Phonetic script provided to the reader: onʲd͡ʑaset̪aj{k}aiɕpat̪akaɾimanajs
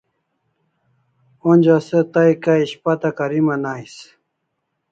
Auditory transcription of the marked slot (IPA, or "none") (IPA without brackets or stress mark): k